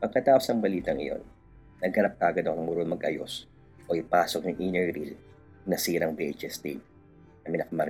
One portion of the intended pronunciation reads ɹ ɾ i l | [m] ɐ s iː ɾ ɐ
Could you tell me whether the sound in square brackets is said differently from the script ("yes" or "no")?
yes